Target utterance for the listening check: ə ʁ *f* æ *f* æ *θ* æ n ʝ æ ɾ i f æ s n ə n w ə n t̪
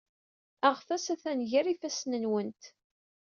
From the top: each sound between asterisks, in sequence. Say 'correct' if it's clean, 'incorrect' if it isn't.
correct, incorrect: s, correct

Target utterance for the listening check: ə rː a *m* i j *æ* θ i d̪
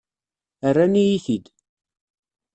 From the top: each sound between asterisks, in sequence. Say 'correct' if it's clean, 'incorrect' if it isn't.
incorrect: n, incorrect: i

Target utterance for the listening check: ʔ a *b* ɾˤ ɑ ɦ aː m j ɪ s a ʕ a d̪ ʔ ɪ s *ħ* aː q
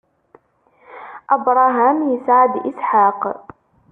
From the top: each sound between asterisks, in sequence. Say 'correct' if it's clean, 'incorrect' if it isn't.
correct, correct

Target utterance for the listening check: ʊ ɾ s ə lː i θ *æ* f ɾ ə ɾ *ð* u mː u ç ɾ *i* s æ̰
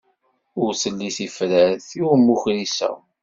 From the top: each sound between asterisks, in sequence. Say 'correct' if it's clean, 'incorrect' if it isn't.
incorrect: i, incorrect: θ, correct

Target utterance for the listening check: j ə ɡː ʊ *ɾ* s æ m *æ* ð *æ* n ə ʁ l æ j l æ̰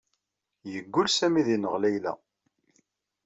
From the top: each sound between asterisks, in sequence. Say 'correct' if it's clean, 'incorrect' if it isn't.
incorrect: l, incorrect: i, incorrect: i

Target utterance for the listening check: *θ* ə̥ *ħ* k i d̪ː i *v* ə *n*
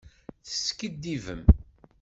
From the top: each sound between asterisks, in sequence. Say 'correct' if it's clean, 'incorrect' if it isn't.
correct, incorrect: s, correct, incorrect: m

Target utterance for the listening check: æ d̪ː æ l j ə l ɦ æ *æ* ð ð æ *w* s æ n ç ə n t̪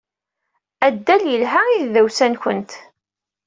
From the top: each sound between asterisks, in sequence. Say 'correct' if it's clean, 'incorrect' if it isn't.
incorrect: i, correct

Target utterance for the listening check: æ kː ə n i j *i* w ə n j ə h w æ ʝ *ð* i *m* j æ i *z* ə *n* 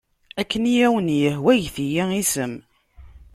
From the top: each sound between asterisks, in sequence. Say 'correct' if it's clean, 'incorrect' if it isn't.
incorrect: æ, incorrect: θ, incorrect: none, incorrect: s, incorrect: m

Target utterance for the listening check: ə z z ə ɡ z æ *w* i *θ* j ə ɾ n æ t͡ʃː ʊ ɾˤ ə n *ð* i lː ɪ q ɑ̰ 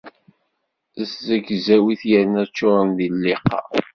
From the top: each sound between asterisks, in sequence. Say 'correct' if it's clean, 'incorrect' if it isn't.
correct, correct, correct

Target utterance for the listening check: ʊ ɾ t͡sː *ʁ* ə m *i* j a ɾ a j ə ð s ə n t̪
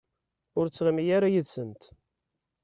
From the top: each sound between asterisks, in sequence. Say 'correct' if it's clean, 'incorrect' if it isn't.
correct, correct

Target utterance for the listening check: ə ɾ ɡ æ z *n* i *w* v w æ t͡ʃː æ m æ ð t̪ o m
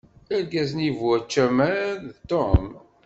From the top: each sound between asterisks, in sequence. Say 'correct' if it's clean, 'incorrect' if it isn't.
correct, incorrect: none

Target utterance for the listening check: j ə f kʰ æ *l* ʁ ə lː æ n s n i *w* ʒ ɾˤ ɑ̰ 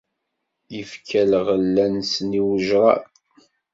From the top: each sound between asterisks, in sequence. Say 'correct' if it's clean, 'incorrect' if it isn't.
correct, correct

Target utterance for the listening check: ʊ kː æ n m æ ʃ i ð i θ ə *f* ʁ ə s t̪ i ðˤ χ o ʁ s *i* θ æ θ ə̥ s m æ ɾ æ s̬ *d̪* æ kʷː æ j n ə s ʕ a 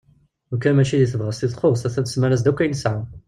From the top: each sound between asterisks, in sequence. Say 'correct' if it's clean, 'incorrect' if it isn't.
incorrect: v, incorrect: æ, correct

